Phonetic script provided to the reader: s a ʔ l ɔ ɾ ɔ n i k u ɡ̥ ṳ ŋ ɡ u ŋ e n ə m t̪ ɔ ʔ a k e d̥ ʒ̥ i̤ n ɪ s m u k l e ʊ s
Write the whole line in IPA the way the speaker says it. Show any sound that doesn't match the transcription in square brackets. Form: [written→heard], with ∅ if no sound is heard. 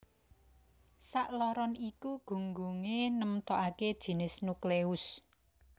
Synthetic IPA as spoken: s a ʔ l ɔ ɾ ɔ n i k u ɡ̥ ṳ ŋ ɡ u ŋ e n ə m t̪ ɔ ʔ a k e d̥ ʒ̥ i̤ n ɪ s [m→n] u k l e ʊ s